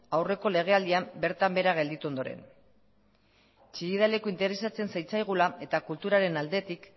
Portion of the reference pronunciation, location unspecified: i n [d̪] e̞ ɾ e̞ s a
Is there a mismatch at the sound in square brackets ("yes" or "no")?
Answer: yes